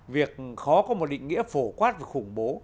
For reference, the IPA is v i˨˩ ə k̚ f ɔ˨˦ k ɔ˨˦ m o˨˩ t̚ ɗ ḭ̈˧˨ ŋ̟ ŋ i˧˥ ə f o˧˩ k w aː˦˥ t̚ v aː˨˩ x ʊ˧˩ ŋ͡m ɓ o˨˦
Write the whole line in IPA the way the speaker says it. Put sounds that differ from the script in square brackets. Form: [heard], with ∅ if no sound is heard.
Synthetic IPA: v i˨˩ ə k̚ [x] ɔ˨˦ k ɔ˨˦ m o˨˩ t̚ ɗ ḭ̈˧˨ ŋ̟ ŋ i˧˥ ə f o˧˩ k w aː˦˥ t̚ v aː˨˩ x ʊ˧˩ ŋ͡m ɓ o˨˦